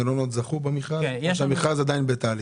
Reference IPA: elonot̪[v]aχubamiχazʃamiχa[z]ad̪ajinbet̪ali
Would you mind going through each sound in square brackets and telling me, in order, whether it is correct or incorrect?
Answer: incorrect, correct

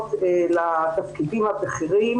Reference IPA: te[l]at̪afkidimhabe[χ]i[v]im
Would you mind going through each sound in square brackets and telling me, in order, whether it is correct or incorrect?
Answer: correct, correct, incorrect

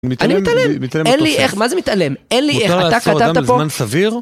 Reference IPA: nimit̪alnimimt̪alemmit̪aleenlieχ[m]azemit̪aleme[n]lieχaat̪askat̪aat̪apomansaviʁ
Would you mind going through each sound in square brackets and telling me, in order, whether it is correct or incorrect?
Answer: correct, correct

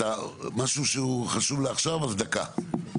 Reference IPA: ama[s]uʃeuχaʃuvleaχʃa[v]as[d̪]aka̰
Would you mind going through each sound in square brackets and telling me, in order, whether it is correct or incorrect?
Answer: incorrect, correct, correct

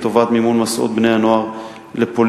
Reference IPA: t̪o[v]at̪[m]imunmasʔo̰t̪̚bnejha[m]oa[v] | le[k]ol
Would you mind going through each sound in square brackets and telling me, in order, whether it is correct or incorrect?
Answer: correct, correct, incorrect, incorrect, incorrect

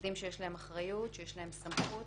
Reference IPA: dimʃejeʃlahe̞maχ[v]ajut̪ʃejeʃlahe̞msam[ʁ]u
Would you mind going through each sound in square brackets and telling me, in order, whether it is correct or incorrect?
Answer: incorrect, incorrect

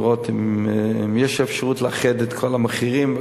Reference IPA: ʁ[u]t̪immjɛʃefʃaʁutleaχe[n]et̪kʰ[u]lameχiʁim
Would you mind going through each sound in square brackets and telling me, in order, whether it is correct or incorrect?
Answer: incorrect, incorrect, incorrect

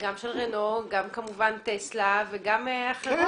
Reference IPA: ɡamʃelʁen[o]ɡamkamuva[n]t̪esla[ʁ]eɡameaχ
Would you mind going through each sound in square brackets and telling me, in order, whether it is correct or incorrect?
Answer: correct, correct, incorrect

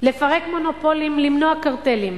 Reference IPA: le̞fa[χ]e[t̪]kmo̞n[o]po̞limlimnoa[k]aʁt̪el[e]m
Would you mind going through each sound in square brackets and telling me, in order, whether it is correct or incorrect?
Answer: incorrect, incorrect, correct, correct, incorrect

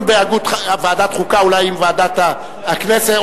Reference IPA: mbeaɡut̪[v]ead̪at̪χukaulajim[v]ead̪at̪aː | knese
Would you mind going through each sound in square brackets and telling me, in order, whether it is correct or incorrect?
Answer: correct, correct

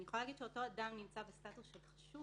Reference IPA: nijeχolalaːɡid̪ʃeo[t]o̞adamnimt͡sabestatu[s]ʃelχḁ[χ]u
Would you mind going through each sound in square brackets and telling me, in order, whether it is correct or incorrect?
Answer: correct, correct, incorrect

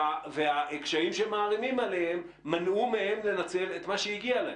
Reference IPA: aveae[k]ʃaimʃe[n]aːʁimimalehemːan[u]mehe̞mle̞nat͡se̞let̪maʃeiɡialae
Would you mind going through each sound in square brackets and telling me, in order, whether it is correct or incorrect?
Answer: correct, incorrect, correct

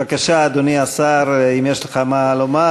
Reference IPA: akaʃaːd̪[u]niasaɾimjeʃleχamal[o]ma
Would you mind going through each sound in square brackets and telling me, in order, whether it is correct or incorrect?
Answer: incorrect, correct

